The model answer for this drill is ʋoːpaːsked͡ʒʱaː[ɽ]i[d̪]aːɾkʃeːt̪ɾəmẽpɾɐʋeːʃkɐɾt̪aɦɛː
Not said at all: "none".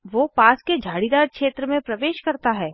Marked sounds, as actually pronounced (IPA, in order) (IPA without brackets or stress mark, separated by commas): ɽ, d̪